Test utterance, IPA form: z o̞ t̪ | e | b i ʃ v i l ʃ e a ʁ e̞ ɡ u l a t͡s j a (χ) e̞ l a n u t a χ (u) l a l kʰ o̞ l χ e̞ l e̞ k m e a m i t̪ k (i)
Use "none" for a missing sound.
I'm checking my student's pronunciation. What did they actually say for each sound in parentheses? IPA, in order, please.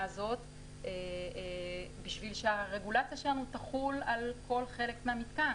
ʃ, u, a

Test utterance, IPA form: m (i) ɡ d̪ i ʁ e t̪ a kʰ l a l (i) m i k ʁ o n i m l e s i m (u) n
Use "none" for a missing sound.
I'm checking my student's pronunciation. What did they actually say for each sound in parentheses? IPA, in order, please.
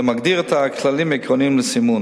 a, i, u

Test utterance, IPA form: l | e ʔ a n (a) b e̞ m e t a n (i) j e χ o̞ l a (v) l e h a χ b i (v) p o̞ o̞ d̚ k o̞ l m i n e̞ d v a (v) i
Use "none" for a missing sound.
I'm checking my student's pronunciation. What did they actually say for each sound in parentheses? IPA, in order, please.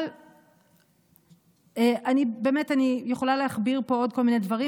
i, i, none, ʁ, ʁ

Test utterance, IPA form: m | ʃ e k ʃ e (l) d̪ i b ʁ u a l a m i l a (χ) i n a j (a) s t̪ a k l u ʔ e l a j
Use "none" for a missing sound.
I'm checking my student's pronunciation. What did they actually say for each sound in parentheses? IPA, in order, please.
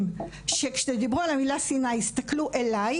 none, s, i

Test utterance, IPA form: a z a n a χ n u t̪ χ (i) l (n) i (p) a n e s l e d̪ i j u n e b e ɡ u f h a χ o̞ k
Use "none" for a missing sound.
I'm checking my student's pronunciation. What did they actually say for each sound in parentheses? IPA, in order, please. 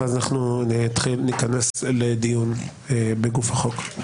i, n, k

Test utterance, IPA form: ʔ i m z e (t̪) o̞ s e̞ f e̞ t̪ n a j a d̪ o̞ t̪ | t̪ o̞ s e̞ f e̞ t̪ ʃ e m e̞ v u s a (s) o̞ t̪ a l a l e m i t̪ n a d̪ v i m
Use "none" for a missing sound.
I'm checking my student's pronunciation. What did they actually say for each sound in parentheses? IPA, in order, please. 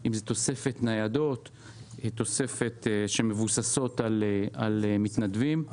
t̪, s

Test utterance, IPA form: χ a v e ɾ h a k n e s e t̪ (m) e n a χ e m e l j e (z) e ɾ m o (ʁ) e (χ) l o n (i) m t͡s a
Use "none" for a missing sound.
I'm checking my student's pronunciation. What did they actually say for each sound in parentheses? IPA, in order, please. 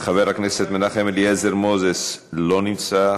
m, z, z, s, i

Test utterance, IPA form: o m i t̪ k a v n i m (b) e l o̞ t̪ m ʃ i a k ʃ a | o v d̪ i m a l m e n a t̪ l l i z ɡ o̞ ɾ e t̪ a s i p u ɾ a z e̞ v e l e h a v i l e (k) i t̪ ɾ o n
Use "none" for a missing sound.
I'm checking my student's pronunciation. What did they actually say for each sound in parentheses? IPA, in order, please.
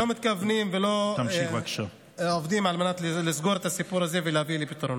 v, p

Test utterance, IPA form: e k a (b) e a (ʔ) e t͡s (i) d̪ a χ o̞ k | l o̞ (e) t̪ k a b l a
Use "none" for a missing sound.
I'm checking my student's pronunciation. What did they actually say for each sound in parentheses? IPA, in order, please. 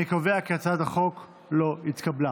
v, k, a, i

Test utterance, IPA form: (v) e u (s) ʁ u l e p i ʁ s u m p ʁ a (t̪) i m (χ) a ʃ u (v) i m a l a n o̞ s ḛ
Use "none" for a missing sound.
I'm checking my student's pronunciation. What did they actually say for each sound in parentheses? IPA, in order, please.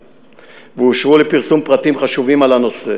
v, ʃ, t̪, χ, v

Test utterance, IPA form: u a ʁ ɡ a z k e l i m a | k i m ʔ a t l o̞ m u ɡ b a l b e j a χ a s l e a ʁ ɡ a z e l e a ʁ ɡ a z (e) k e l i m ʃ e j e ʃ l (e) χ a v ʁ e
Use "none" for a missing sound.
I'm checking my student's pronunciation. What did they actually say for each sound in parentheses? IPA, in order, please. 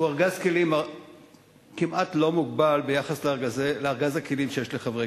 a, e

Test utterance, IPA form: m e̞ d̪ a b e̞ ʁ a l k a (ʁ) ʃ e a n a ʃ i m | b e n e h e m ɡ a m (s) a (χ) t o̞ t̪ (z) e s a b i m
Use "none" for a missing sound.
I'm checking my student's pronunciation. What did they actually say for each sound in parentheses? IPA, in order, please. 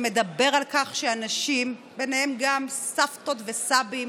χ, s, f, v

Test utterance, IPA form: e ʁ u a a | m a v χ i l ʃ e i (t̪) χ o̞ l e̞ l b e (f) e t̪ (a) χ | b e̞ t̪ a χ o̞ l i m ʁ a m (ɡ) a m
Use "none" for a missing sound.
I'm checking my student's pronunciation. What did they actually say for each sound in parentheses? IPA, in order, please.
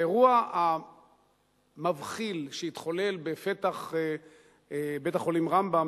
t̪, f, a, b

